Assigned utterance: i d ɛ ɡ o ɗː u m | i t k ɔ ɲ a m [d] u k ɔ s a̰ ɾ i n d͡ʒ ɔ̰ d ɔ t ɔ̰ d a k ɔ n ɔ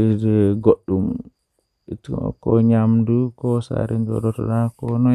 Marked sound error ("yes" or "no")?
no